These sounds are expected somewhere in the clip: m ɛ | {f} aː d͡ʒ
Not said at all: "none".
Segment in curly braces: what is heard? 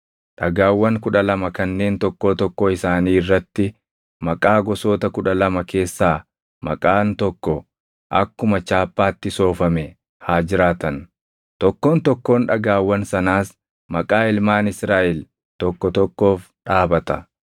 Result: h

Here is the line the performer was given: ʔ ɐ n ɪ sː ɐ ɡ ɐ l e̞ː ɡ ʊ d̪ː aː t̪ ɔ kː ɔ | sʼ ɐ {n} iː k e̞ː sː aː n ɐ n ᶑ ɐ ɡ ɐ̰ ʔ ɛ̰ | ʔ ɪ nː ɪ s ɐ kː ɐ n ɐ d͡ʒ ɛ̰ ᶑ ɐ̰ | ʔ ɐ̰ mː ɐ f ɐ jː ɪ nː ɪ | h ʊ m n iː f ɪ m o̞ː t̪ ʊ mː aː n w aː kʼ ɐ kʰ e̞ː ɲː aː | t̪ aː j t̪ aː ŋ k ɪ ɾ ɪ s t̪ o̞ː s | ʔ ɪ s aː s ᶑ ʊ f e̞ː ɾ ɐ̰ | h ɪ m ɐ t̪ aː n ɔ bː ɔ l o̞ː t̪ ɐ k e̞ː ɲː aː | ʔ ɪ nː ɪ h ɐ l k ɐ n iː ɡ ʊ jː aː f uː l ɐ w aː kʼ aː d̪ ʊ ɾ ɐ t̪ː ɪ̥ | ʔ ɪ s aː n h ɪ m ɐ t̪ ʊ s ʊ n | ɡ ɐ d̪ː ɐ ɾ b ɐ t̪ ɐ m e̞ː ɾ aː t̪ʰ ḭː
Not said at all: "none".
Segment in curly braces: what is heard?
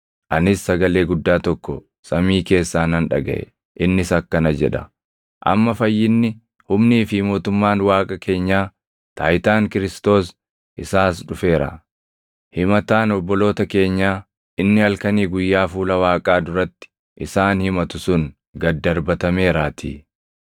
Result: m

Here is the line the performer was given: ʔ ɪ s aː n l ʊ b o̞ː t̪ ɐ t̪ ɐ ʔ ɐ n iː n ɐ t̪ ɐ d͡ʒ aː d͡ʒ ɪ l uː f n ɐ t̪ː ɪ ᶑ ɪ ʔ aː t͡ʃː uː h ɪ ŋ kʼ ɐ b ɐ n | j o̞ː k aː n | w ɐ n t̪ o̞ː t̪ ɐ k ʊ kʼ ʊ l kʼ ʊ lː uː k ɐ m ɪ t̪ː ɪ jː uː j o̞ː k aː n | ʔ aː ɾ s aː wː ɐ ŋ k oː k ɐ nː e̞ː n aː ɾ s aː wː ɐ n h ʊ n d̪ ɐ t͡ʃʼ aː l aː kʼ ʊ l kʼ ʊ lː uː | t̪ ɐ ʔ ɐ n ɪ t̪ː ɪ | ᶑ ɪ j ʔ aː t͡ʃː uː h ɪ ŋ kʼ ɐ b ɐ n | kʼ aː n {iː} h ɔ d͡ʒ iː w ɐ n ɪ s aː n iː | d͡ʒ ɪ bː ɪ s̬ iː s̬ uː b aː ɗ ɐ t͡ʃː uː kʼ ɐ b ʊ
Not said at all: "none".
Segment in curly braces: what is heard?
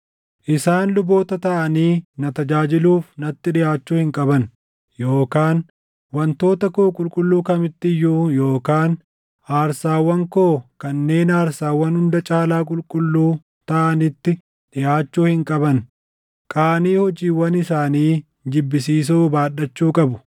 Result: iː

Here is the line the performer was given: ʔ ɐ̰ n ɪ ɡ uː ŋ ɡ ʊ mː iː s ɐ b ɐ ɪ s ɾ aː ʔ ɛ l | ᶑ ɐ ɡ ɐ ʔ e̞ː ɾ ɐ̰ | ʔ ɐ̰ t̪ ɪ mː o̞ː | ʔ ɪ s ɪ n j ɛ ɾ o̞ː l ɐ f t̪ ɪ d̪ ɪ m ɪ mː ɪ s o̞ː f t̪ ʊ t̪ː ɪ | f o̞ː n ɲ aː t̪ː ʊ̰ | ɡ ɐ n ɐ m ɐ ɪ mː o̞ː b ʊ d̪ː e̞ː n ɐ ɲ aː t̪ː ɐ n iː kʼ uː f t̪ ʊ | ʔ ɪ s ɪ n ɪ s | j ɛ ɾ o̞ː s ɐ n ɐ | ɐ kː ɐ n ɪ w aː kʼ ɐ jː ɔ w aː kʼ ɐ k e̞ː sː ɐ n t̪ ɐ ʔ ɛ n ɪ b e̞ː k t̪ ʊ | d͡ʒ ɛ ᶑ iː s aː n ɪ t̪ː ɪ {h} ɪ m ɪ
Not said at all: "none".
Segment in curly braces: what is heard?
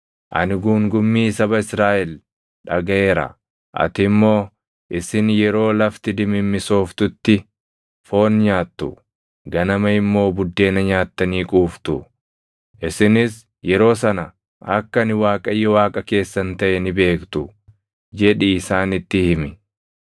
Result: h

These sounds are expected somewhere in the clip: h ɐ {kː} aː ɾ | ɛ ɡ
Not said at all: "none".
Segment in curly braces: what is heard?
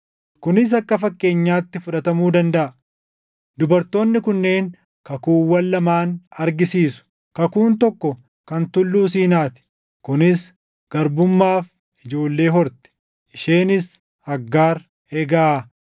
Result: ɡː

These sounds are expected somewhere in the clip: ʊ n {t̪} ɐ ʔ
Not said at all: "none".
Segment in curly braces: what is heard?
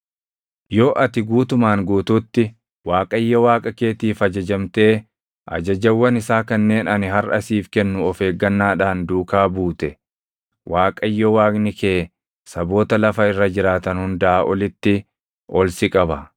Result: d̪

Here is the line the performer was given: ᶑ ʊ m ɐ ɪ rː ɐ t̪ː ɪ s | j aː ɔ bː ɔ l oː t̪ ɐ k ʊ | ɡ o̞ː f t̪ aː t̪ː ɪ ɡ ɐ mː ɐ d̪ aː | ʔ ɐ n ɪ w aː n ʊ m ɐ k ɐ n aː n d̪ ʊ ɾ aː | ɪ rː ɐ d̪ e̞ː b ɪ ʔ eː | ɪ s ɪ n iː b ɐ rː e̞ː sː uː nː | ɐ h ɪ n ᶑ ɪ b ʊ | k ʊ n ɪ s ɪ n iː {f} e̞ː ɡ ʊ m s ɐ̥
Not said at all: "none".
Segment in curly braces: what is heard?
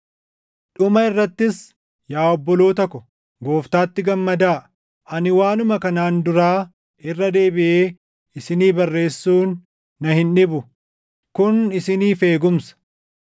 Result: f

